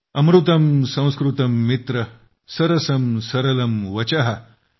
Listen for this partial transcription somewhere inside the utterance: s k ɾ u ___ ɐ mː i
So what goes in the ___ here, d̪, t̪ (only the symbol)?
t̪